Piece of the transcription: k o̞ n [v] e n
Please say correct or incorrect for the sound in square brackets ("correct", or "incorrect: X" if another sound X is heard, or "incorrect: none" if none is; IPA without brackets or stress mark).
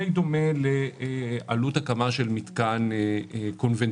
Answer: correct